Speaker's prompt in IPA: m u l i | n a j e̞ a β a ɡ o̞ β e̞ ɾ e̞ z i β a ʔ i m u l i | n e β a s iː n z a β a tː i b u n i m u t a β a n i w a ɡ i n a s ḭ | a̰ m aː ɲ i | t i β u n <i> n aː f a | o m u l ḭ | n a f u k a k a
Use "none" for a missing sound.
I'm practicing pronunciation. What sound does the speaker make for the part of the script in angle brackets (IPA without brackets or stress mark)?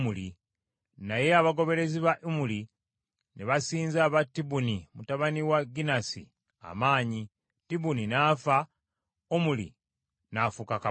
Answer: i